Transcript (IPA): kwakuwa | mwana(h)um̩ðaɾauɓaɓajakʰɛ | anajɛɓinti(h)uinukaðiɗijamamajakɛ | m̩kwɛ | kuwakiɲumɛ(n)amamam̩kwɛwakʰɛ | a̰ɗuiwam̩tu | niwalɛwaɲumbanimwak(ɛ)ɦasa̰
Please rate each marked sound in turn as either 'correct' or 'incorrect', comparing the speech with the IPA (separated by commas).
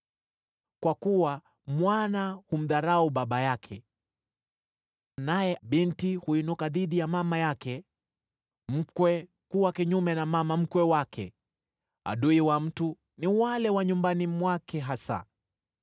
correct, correct, correct, correct